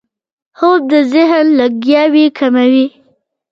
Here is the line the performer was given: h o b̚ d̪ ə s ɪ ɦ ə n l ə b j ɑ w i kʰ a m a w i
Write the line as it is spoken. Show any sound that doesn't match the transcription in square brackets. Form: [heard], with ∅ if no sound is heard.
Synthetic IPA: h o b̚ d̪ ə [z] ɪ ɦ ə n l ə [ɡ] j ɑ w i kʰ a m a w i